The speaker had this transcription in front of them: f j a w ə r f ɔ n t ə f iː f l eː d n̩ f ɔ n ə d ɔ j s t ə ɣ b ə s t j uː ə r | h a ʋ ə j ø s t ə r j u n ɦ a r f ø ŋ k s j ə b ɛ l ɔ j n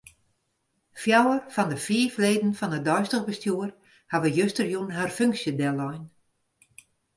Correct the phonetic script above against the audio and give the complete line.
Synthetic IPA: f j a w ə r f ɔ n d ə f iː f l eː d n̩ f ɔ n ə d ɔ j s t ə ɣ b ə s t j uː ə r | h a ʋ ə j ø s t ə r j u n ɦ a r f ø ŋ k s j ə d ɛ l ɔ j n

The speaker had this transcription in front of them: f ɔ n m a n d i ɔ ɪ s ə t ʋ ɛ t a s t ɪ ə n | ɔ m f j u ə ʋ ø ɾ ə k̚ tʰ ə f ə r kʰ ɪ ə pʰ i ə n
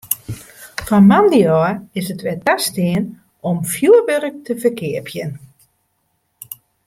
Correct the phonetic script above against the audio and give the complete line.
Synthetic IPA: f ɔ n m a n d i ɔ ɪ s ə t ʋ ɛ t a s t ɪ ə n | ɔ m f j u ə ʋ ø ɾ ə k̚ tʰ ə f ə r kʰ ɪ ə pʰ j ə n

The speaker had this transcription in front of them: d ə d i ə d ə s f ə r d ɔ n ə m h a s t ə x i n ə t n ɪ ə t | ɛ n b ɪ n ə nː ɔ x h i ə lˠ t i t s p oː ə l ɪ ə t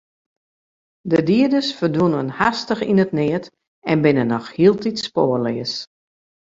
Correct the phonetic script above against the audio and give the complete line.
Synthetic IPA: d ə d i ə d ə s f ə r d u n ə n h a s t ə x i n ə t n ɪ ə t | ɛ n b ɪ n ə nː ɔ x h i ə lˠ t i t s p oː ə l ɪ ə s

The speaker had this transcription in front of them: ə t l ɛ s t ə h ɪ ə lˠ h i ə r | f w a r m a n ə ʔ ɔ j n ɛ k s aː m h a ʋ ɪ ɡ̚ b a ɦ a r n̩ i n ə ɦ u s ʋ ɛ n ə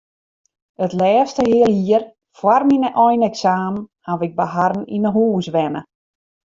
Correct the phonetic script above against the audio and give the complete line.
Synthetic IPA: ə t l ɛː s t ə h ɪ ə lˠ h i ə r | f w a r m i n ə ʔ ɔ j n ɛ k s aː m h a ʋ ɪ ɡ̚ b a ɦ a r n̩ i n ə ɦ uː s ʋ ɛ n ə

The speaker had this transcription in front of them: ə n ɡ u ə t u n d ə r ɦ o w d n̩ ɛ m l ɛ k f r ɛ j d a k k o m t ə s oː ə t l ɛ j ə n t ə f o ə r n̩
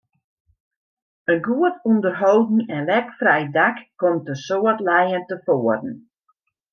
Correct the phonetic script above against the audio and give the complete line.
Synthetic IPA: ə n ɡ u ə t u n d ə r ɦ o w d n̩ ɛ n l ɛ k f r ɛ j d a k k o m t ə s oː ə t l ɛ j ə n t ə f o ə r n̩

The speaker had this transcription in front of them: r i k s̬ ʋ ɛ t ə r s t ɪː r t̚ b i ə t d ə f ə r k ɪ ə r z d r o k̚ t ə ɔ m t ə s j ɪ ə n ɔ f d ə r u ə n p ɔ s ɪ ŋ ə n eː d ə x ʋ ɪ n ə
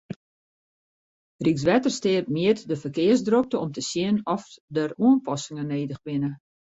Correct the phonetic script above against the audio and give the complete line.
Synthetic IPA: r i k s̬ ʋ ɛ t ə r s t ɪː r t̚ m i ə t d ə f ə r k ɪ ə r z d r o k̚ t ə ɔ m t ə s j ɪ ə n ɔ f d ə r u ə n p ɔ s ɪ ŋ ə n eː d ə x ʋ ɪ n ə

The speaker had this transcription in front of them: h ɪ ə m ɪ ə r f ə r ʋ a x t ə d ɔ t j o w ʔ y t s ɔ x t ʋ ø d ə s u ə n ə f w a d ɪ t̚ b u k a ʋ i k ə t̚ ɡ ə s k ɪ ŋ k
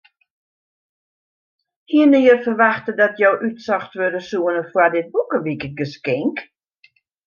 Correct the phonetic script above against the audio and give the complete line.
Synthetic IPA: h i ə n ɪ ə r f ə r ʋ a x t ə d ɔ t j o w ʔ y t s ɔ x t ʋ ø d ə s u ə n ə f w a d ɪ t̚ b u k ə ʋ i k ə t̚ ɡ ə s k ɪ ŋ k

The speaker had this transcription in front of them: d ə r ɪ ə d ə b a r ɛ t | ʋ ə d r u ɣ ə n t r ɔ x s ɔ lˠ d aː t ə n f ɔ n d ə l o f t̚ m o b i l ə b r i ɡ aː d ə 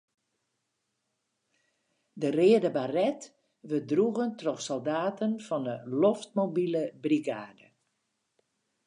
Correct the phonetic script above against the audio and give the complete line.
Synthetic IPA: d ə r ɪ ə d ə b a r ɛ t | ʋ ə d r u ɣ ə n t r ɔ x s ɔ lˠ d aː t ə n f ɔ n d ə l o f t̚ m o b i l ə b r i ɡ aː d ə

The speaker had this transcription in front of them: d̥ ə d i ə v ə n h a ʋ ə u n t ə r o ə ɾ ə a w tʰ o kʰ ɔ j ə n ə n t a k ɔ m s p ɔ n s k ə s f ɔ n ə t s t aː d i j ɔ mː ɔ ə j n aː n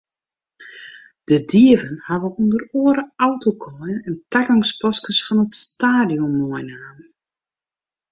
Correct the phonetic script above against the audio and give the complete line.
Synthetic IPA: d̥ ə d i ə v ə n h a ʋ ə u n d ə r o ə ɾ ə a w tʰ o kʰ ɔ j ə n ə n t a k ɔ ŋ s p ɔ s k ə s f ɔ n ə t s t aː d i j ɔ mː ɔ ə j n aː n

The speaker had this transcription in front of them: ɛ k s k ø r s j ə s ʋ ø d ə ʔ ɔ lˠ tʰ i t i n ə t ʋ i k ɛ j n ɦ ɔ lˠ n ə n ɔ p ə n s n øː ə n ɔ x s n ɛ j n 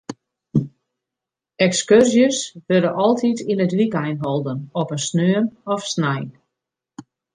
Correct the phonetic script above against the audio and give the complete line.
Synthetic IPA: ɛ k s k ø r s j ə s ʋ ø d ə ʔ ɔ lˠ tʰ i t i n ə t ʋ i k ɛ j n ɦ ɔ lˠ d ə n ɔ p ə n s n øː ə n ɔ f s n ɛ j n

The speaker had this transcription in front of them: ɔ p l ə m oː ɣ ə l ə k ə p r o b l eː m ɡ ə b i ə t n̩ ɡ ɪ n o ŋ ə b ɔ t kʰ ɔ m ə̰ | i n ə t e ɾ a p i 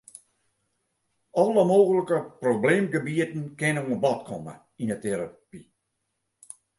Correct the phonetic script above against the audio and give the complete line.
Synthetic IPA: ɔ l ə m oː ɣ ə l ə k ə p r o b l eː m ɡ ə b i ə t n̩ k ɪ n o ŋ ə b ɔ t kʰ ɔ m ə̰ | i n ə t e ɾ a p i

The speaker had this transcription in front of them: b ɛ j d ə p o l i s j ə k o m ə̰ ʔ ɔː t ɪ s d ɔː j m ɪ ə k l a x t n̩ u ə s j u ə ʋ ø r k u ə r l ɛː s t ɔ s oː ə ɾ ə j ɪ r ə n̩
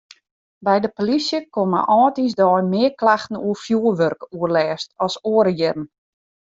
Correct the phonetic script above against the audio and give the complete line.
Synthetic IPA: b ɛ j d ə p o l i s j ə k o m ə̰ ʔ ɔː t i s d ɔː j m ɪ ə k l a x t n̩ u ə f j u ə ʋ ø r k u ə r l ɛː s t ɔ s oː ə ɾ ə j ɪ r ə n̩

